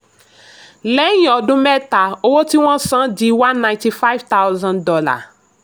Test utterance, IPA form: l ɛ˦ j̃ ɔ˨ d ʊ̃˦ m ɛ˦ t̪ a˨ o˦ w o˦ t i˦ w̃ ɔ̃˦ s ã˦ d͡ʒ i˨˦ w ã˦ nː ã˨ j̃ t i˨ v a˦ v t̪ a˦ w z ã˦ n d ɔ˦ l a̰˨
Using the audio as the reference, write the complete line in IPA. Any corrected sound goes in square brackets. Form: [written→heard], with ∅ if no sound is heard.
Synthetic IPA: l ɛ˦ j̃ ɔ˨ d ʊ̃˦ m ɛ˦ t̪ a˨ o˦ w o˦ t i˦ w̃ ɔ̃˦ s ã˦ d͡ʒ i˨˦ w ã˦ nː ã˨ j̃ t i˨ [v→f] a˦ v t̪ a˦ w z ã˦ n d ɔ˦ l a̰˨